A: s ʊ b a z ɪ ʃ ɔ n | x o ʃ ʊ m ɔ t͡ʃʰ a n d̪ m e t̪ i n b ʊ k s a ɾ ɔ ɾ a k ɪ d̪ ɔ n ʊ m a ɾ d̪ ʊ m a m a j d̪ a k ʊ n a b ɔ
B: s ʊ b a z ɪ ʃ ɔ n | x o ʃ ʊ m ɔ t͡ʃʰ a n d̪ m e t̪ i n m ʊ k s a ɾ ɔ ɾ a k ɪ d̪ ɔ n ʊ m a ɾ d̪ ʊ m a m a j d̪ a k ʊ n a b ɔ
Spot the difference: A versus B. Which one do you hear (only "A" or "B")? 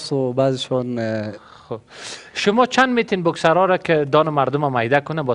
A